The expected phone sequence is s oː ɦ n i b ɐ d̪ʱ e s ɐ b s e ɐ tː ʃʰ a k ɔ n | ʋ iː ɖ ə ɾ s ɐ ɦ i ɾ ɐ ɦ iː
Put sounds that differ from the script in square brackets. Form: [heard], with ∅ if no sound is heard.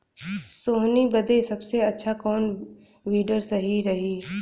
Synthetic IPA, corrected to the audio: s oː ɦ n i b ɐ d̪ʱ e s ɐ b s e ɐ tː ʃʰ a k [ɔː] n | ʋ iː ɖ ə ɾ s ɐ ɦ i ɾ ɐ ɦ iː